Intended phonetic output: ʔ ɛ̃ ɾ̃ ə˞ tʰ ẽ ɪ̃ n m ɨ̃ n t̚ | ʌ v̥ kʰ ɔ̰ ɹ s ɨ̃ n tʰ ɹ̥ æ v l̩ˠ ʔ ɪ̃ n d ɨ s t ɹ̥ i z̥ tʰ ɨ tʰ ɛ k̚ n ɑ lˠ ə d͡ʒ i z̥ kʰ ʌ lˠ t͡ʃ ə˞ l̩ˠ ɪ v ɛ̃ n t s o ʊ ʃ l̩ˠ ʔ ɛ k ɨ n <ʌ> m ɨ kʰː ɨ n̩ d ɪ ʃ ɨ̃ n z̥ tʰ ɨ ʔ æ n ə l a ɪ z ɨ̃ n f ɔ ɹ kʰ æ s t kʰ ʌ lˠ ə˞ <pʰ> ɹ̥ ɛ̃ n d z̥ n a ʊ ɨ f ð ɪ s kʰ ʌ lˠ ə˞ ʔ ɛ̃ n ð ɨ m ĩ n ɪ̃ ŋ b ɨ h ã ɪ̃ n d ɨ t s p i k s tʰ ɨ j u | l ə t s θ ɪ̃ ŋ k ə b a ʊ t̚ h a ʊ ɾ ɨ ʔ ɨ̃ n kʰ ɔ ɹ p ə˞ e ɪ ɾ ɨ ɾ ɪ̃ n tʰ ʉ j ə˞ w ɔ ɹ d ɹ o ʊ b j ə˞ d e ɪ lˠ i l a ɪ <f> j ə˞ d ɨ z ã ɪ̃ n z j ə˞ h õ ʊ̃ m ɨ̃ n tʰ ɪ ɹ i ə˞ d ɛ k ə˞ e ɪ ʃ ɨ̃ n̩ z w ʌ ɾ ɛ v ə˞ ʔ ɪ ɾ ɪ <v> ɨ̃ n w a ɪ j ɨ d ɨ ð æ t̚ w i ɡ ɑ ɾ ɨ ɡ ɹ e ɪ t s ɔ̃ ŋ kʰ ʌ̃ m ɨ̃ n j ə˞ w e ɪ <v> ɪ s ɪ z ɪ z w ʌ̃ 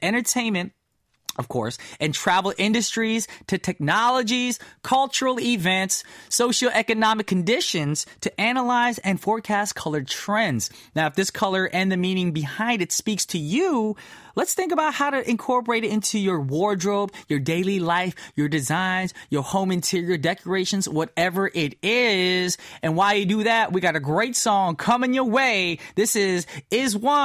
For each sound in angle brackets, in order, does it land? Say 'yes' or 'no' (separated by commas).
no, no, yes, no, no